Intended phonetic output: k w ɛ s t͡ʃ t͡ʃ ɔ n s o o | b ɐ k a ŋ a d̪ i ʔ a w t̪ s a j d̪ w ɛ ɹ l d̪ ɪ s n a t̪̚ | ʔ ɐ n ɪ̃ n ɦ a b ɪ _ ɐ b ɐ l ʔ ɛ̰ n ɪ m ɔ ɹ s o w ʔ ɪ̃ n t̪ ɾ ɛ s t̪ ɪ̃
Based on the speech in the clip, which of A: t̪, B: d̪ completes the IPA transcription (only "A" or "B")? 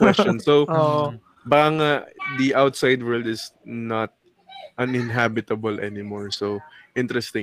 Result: A